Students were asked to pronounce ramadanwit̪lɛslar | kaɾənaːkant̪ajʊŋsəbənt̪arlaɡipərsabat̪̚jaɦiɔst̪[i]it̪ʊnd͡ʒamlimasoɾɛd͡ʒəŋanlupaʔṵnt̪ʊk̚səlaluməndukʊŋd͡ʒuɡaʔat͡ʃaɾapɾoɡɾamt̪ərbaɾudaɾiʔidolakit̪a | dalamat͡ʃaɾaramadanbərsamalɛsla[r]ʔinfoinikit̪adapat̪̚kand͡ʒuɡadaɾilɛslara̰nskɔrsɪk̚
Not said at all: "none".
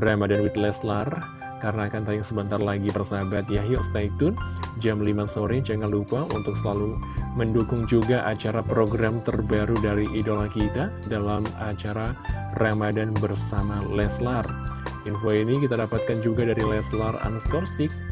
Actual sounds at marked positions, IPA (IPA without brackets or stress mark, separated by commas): a, r